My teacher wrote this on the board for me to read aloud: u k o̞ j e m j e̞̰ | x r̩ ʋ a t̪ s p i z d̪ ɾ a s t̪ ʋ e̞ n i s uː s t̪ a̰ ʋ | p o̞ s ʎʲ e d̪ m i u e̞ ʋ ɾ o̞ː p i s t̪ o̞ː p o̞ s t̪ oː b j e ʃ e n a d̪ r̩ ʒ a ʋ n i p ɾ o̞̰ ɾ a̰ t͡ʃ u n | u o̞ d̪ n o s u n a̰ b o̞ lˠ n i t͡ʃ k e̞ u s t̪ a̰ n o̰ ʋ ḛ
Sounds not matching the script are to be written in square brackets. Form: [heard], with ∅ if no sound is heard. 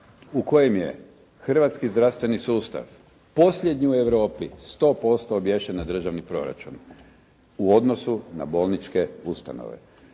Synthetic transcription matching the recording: u k o̞ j e m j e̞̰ | x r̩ ʋ a t̪ s [k] i z d̪ ɾ a s t̪ ʋ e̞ n i s uː s t̪ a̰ ʋ | p o̞ s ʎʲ e d̪ [ɲ] i u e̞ ʋ ɾ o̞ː p i s t̪ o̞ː p o̞ s t̪ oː b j e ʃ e n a d̪ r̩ ʒ a ʋ n i p ɾ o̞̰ ɾ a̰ t͡ʃ u n | u o̞ d̪ n o s u n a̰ b o̞ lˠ n i t͡ʃ k e̞ u s t̪ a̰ n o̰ ʋ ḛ